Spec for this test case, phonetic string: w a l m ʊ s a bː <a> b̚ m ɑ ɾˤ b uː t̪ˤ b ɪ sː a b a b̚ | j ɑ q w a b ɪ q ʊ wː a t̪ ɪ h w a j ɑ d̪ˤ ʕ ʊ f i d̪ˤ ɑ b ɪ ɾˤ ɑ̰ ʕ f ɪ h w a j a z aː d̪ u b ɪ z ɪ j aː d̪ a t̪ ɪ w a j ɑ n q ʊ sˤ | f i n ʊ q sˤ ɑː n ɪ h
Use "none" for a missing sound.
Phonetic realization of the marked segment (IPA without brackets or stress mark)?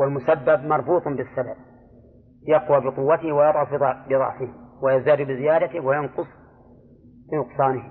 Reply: a